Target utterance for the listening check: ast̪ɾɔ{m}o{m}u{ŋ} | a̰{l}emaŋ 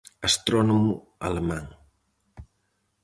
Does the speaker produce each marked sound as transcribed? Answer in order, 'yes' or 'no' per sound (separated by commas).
no, yes, no, yes